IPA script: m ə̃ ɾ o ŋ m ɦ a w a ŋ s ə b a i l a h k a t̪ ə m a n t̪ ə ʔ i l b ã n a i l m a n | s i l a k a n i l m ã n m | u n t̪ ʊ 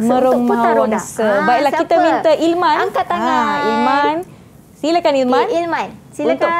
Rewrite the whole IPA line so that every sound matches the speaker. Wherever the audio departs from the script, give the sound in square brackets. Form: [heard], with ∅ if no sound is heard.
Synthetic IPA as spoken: m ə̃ ɾ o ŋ m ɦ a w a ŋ s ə b a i l a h k [i] t̪ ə m [i] n t̪ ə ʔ i l [m] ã n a i l m a n | s i l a k a n i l m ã n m | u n t̪ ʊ